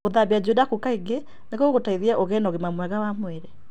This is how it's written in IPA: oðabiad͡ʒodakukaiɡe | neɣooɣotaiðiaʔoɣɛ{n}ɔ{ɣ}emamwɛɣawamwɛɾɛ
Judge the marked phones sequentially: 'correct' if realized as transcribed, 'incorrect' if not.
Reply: correct, correct

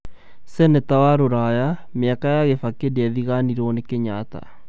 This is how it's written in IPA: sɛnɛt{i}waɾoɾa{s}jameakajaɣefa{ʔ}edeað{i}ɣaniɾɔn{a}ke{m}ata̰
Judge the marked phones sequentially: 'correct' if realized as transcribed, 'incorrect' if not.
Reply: incorrect: a, incorrect: none, incorrect: k, correct, incorrect: e, incorrect: ɲ

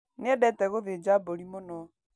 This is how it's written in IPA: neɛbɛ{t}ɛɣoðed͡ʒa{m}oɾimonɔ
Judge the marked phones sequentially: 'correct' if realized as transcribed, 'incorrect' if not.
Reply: correct, incorrect: b

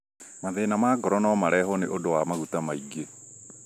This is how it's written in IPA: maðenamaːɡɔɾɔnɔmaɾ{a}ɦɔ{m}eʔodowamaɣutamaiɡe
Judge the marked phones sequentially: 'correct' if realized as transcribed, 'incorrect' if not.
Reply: incorrect: ɛ, incorrect: n

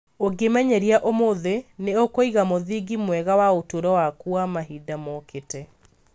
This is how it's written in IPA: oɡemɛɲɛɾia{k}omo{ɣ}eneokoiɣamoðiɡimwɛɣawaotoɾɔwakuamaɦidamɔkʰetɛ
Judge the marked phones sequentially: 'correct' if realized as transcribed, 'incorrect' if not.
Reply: incorrect: ʔ, incorrect: ð

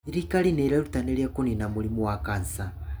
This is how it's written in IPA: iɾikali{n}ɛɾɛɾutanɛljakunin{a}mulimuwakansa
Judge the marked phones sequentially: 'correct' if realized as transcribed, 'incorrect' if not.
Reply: correct, correct

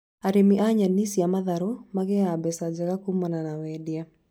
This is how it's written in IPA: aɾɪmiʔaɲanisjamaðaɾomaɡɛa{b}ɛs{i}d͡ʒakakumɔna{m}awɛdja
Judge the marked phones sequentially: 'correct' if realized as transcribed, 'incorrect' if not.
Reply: correct, incorrect: a, incorrect: n

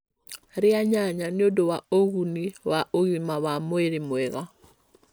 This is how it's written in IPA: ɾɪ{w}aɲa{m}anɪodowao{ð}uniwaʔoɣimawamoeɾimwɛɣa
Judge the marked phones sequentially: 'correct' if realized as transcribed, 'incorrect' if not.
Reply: incorrect: none, incorrect: ɲ, incorrect: ɣ

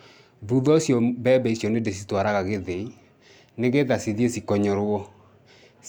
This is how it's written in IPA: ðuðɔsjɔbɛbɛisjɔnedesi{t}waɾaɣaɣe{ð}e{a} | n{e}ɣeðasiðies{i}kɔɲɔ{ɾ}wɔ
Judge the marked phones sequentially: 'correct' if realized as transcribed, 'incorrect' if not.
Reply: correct, correct, incorrect: i, correct, correct, correct

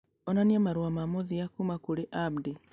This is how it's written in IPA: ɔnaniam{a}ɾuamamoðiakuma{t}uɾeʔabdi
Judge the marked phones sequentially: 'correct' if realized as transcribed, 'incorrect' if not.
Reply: correct, incorrect: k

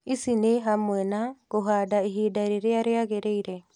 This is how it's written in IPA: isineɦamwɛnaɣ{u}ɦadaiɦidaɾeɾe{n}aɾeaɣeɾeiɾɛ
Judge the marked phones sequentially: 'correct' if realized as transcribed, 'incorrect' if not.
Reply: incorrect: o, incorrect: none

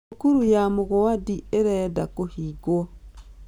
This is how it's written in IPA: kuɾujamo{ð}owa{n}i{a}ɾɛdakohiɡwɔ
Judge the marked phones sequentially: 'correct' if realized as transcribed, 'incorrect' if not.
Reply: incorrect: ɣ, incorrect: d, incorrect: e

